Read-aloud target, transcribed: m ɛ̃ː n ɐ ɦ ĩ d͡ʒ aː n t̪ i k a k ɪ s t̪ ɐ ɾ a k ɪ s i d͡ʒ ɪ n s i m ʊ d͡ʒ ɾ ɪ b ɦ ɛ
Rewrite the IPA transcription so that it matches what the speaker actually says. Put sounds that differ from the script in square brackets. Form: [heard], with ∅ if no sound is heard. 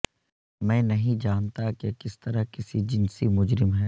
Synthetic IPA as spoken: m ɛ̃ː n ɐ ɦ ĩ d͡ʒ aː n t̪ [a] k [e] k ɪ s t̪ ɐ ɾ a k ɪ s i d͡ʒ ɪ n s i m ʊ d͡ʒ ɾ ɪ [m] ɦ ɛ